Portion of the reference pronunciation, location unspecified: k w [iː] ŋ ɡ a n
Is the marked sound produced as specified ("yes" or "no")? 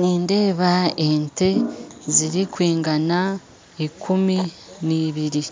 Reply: yes